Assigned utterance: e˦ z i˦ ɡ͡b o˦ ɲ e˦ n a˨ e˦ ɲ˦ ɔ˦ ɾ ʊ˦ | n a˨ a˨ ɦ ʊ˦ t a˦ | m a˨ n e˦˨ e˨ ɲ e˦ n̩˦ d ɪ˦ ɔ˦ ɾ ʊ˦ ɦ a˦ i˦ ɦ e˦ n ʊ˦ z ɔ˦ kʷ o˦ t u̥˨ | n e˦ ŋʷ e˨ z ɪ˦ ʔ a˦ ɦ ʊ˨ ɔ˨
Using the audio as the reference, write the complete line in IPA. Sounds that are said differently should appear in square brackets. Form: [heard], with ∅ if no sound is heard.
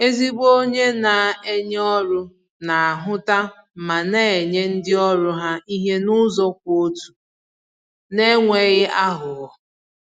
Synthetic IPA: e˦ z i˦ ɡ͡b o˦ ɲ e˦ n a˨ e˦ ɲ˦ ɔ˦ ɾ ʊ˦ | n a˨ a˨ ɦ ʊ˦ t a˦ | m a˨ n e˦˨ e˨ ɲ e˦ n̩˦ d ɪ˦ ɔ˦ ɾ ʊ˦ ɦ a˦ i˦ ɦ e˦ n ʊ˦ z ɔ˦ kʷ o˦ t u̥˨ | n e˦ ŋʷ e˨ [ɣ] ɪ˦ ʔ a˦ ɦ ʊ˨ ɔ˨

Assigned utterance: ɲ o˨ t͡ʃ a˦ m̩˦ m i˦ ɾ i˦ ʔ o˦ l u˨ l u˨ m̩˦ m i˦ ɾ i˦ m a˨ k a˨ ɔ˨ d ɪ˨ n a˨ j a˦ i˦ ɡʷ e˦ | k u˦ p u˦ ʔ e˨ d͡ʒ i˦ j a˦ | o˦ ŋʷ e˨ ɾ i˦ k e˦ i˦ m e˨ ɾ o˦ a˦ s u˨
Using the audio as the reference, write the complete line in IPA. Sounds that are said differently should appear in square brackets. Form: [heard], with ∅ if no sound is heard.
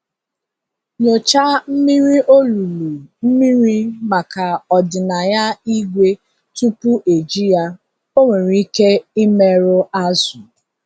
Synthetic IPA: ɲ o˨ t͡ʃ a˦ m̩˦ m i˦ ɾ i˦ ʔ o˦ l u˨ l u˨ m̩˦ m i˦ ɾ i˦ m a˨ k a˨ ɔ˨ d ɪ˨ n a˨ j a˦ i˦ ɡʷ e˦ | [t] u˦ p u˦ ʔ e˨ d͡ʒ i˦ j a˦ | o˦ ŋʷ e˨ ɾ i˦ k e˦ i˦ m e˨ ɾ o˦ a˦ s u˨

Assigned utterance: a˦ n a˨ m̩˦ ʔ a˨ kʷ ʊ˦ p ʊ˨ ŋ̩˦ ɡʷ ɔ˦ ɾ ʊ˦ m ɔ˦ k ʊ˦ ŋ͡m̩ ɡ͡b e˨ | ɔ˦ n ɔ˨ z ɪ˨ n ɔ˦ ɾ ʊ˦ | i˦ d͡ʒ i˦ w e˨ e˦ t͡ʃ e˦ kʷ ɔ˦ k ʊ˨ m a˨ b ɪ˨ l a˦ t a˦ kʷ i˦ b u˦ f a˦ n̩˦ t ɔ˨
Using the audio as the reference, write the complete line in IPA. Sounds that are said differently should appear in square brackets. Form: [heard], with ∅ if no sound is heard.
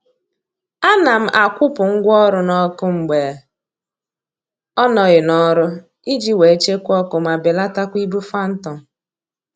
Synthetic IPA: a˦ n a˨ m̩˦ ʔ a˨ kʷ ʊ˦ p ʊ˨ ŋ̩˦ ɡʷ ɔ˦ ɾ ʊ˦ [n] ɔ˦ k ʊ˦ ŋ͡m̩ ɡ͡b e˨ | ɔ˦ n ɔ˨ [ɣ] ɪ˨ n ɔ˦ ɾ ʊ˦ | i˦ d͡ʒ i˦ w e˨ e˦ t͡ʃ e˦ kʷ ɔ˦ k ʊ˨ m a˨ b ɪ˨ l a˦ t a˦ kʷ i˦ b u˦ f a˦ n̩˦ t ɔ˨

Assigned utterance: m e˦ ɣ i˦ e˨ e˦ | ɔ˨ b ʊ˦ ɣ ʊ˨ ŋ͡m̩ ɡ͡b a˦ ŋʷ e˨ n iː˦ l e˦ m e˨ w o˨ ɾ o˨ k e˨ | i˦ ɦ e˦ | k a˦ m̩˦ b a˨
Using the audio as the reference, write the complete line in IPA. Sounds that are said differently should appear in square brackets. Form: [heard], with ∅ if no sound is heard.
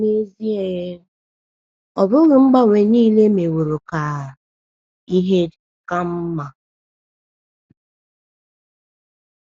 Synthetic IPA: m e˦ [z] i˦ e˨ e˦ | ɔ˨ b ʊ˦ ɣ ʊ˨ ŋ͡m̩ ɡ͡b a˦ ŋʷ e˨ n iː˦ l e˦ m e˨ w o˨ ɾ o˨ k [a˨] | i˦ ɦ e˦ | k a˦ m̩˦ [m] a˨

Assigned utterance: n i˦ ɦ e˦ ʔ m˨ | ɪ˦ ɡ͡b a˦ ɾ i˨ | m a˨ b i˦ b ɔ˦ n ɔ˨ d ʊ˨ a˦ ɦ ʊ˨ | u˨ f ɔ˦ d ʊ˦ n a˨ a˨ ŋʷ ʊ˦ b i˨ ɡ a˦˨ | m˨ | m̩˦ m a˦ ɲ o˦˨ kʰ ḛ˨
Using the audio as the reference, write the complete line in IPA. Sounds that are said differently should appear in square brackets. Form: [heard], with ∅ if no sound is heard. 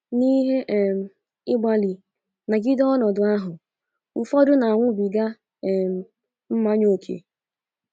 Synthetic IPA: n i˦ ɦ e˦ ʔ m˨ | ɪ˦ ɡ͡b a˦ [l] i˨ | [n] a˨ [ɡ] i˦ [d] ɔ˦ n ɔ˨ d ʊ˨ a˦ ɦ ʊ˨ | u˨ f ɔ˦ d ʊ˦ n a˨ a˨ ŋʷ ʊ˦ b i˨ ɡ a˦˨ | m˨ | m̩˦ m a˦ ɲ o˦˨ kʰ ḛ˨

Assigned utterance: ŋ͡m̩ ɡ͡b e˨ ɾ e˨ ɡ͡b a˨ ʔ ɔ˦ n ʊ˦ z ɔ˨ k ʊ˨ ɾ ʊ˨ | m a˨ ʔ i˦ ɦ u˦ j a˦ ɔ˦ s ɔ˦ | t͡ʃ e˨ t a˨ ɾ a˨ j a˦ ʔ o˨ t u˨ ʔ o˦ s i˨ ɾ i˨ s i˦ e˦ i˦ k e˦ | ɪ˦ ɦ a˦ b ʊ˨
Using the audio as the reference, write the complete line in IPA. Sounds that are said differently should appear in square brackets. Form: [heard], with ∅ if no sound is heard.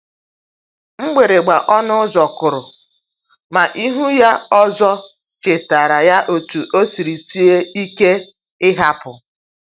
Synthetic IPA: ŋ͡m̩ ɡ͡b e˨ ɾ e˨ ɡ͡b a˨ ʔ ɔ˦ n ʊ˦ z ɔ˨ k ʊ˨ ɾ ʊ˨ | m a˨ ʔ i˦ ɦ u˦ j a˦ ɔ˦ [z] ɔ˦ | t͡ʃ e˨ t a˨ ɾ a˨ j a˦ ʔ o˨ t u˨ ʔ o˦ s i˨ ɾ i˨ s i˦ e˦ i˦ k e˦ | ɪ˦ ɦ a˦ [p] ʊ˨

